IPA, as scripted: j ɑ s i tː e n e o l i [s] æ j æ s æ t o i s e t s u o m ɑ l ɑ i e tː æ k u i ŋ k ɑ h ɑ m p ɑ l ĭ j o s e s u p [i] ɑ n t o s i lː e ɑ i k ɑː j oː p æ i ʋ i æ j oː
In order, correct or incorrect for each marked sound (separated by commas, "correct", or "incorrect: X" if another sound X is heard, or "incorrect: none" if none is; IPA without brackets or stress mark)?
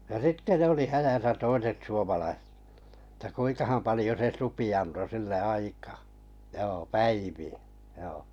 incorrect: h, correct